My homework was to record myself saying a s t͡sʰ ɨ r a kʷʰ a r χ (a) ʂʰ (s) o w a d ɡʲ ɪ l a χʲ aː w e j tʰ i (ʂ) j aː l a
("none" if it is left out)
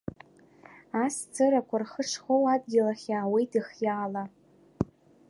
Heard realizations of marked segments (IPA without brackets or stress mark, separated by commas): ə, χ, χ